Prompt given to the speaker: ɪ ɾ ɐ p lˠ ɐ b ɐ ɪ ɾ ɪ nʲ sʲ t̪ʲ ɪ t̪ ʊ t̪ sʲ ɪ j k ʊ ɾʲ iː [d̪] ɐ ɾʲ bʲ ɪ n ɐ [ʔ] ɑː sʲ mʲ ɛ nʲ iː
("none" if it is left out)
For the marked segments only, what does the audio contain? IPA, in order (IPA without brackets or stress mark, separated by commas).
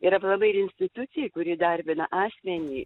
d̪, ʔ